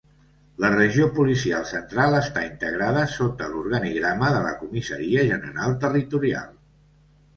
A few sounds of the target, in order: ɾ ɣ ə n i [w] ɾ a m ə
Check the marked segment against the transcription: incorrect: ɣ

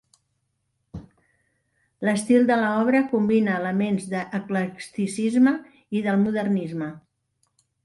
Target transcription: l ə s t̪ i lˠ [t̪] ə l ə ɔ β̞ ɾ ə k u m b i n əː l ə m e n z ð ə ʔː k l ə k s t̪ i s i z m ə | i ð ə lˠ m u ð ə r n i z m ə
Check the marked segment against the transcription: incorrect: d̪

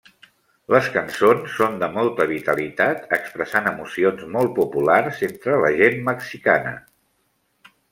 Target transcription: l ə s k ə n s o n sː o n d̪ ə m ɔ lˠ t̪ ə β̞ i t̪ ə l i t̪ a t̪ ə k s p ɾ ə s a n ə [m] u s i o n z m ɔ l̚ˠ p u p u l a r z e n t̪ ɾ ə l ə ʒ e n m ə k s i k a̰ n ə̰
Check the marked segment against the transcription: correct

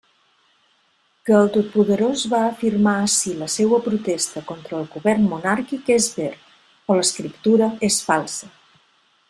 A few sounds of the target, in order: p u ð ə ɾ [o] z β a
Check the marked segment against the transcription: correct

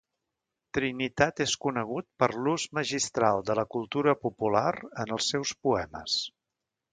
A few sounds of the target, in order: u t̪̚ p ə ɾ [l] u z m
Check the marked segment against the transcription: correct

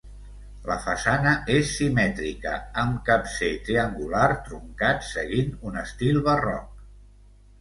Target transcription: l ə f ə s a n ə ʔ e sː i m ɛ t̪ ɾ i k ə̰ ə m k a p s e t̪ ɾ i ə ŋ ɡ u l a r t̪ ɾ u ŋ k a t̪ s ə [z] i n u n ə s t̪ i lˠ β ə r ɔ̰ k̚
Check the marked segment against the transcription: incorrect: ɣ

